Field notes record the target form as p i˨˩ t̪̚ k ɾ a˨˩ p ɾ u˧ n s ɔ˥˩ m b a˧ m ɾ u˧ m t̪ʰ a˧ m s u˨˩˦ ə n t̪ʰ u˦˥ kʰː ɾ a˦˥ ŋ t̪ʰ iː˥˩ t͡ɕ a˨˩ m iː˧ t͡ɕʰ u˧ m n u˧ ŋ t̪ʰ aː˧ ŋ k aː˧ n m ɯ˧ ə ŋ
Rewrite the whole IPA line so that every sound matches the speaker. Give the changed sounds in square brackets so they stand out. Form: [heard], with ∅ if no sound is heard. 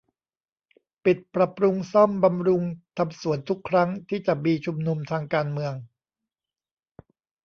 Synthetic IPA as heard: p i˨˩ t̪̚ [p] ɾ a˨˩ p ɾ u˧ [ŋ] s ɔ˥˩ m b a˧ m ɾ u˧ [ŋ] t̪ʰ a˧ m s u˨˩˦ ə n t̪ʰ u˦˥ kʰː ɾ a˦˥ ŋ t̪ʰ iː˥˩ t͡ɕ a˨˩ m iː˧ t͡ɕʰ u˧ m n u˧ [m] t̪ʰ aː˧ ŋ k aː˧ n m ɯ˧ ə ŋ